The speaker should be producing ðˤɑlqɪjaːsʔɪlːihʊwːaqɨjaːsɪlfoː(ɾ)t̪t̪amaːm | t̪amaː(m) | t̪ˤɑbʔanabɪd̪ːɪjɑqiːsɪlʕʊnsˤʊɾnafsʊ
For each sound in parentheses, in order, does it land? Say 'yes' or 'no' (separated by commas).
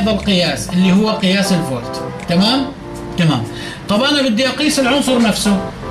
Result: no, yes